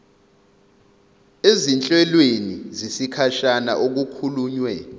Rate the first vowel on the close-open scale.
mid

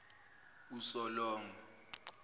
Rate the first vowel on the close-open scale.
close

